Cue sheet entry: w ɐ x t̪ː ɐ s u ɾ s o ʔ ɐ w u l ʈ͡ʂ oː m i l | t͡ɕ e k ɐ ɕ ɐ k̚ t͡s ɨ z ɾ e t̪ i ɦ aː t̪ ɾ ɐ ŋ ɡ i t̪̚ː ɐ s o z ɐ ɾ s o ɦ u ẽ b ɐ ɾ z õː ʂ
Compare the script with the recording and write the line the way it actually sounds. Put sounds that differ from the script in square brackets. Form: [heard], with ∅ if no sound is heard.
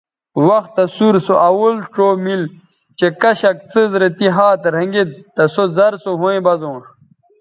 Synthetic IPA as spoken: w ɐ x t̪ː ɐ s u ɾ s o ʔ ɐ w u l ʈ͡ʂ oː m i l | t͡ɕ e k ɐ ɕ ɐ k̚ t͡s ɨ z ɾ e t̪ i ɦ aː t̪ ɾ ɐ ŋ ɡ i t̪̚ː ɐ s o z ɐ ɾ s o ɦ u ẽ b ɐ [∅] z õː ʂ